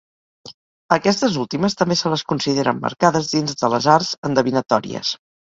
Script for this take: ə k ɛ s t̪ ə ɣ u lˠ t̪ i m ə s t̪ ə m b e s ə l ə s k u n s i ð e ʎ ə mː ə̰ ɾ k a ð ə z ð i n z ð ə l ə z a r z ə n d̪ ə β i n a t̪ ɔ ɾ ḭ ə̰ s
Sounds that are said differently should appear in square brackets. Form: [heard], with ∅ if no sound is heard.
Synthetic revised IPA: ə k ɛ s t̪ ə [z] u lˠ t̪ i m ə s t̪ ə m b e s ə l ə s k u n s i ð e [ɾ] ə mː ə̰ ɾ k a ð ə z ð i n z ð ə l ə z a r z ə n d̪ ə β i n [ə] t̪ ɔ ɾ ḭ ə̰ s